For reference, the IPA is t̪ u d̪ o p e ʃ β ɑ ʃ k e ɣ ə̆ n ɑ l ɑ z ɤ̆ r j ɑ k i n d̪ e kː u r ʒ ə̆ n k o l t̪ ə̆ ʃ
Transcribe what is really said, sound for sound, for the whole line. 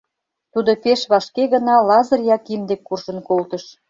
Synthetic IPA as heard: t̪ u d̪ o p e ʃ β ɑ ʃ k e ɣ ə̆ n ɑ l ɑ z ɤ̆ r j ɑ k i m d̪ e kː u r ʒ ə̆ n k o l t̪ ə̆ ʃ